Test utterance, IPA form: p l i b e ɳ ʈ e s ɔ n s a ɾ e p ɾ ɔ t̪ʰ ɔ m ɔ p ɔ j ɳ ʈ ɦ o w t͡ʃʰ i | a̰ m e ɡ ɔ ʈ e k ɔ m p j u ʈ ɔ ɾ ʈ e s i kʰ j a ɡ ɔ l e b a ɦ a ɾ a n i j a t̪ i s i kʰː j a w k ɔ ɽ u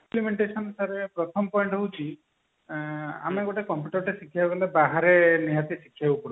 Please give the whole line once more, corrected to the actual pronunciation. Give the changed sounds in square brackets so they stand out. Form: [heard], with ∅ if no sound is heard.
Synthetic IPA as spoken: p l i [m] e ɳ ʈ e s ɔ n s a ɾ e p ɾ ɔ t̪ʰ ɔ m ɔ p ɔ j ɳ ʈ ɦ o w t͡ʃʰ i | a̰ m e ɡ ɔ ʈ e k ɔ m p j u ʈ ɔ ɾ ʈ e s i kʰ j a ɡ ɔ l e b a ɦ a ɾ [e] n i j a t̪ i s i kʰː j a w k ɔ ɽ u